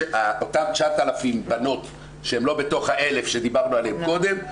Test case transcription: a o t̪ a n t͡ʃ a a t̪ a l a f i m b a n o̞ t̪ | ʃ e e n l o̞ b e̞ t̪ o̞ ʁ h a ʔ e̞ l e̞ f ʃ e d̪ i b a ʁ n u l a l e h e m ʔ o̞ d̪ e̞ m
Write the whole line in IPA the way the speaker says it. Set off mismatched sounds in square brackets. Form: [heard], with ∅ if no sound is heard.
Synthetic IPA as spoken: a o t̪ a [m] t͡ʃ a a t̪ a l a f i m b a n o̞ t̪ | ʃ e e [m] l o̞ b e̞ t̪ o̞ [χ] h a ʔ e̞ l e̞ f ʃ e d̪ i b a ʁ n u [∅] a l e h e m [k] o̞ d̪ e̞ m